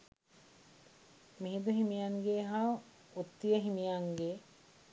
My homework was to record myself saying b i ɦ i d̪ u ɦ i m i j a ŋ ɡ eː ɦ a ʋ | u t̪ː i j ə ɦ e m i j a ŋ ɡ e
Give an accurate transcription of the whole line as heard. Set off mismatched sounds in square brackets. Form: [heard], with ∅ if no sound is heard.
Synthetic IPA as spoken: [m] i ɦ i d̪ u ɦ i m i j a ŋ ɡ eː ɦ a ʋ | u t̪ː i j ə ɦ [i] m i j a ŋ ɡ e